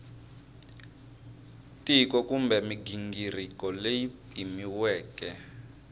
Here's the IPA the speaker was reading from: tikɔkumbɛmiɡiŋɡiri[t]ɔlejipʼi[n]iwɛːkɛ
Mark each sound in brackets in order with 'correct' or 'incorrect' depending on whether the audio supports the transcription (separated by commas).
incorrect, incorrect